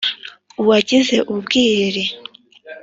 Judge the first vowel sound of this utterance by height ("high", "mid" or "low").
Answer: high